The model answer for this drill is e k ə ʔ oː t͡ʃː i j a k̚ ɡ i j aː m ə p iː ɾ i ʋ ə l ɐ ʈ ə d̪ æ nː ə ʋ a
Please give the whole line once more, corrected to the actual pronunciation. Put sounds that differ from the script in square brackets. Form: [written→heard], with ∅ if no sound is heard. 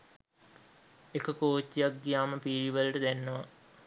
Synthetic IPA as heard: e k ə [ʔ→k] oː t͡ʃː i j a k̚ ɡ i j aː m ə p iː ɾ i ʋ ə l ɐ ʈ ə d̪ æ nː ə ʋ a

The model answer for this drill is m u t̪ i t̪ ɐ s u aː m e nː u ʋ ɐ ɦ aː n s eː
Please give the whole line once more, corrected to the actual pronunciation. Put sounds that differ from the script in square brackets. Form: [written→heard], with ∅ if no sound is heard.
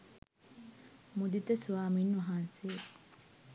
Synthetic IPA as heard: m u [t̪→d̪] i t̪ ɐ s u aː m [e→i] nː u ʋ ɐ ɦ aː n s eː

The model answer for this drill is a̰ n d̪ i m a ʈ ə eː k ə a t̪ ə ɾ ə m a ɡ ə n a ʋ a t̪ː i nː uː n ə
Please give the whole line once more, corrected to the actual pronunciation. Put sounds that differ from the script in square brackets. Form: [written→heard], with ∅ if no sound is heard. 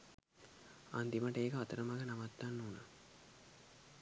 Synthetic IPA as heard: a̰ n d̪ i m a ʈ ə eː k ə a t̪ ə ɾ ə m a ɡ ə n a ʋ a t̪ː [i→a] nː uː n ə

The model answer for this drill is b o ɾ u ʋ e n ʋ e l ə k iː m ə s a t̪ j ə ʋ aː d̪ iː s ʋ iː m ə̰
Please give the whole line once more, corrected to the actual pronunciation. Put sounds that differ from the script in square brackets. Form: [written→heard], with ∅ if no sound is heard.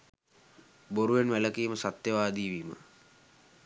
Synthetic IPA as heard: b o ɾ u ʋ e n ʋ [e→æ] l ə k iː m ə s a t̪ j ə ʋ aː d̪ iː [s→∅] ʋ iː m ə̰

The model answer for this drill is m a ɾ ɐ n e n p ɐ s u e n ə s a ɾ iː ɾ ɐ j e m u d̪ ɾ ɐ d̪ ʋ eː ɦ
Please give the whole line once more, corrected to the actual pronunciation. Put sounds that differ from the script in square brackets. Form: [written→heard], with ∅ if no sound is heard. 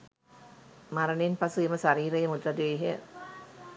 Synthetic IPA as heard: m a ɾ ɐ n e n p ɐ s u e [n→m] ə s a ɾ iː ɾ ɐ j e m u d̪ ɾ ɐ d̪ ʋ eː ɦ

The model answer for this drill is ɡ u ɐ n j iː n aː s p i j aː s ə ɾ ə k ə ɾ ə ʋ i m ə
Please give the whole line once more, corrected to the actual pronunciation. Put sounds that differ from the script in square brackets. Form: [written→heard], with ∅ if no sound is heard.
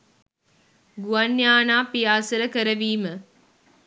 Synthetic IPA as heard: ɡ u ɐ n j [iː→aː] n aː [s→∅] p i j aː s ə ɾ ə k ə ɾ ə ʋ [i→iː] m ə

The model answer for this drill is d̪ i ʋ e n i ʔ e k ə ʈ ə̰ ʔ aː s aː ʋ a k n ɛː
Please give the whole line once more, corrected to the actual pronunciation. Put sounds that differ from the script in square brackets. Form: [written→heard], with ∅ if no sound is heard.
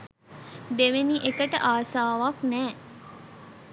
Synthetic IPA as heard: d̪ [i→e] ʋ e n i ʔ e k ə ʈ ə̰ ʔ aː s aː ʋ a k n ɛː

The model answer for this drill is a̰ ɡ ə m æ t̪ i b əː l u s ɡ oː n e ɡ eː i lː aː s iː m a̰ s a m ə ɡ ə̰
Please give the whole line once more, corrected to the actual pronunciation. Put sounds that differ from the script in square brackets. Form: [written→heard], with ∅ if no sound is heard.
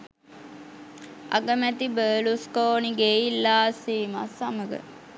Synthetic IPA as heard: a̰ ɡ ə m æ t̪ i b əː l u s [ɡ→k] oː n [e→i] ɡ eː i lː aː s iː m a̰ s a m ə ɡ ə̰

